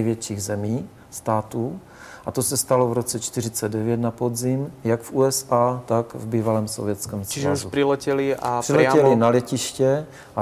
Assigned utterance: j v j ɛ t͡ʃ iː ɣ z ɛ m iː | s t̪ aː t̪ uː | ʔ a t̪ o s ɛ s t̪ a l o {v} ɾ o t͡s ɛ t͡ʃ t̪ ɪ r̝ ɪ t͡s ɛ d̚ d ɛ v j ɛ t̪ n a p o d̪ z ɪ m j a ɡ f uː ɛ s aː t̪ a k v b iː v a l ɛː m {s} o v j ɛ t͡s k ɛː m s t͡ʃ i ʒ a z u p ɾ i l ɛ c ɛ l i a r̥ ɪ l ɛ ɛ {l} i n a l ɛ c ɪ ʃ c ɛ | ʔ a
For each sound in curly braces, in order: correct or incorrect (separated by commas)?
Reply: correct, correct, correct